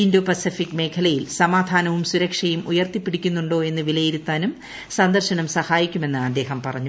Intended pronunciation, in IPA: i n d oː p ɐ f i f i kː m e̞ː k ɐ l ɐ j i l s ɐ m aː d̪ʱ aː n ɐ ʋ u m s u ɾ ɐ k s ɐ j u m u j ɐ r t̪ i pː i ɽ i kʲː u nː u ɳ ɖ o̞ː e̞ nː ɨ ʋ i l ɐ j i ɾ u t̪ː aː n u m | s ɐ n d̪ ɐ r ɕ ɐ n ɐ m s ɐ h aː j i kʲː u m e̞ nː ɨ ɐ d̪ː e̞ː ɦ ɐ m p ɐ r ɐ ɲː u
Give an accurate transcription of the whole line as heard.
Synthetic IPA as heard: i n d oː p ɐ s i f i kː m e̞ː kʰ ɐ l ɐ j i l s ɐ m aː d̪ʱ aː n ɐ ʋ u m s u ɾ ɐ k ʂ ɐ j u m u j ɐ r t̪ i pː i ɽ i kʲː u nː u ɳ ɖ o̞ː e̞ nː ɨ ʋ i l ɐ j i ɾ u t̪ː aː n u m | s ɐ n d̪ ɐ r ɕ ɐ n ɐ m s ɐ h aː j i kʲː u m e̞ nː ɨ ɐ d̪ː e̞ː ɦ ɐ m p ɐ r ɐ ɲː u